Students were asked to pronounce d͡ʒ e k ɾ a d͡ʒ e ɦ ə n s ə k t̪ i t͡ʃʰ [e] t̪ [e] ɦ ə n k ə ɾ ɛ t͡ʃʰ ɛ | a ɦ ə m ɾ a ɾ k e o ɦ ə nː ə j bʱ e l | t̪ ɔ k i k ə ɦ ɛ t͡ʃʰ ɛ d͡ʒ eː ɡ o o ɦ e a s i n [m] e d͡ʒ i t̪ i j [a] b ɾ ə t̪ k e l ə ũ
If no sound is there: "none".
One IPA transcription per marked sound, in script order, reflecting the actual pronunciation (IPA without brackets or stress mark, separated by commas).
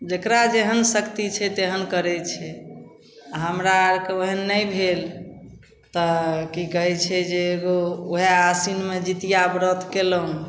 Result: ɛ, e, m, a